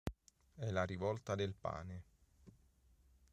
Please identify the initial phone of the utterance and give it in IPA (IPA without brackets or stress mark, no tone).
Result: ɛ